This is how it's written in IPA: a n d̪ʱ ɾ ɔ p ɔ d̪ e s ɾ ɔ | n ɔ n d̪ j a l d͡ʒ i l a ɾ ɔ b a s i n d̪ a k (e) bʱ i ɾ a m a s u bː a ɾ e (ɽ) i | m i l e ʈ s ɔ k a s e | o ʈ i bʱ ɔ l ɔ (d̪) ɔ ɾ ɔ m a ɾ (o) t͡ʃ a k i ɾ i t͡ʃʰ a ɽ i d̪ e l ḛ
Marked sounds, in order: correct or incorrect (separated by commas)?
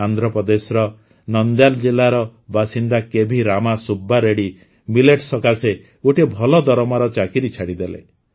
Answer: correct, correct, correct, incorrect